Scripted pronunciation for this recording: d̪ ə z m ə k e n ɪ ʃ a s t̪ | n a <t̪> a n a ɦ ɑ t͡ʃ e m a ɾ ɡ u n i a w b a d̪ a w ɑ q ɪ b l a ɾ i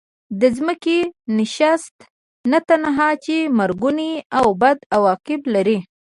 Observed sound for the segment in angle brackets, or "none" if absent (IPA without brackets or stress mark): t̪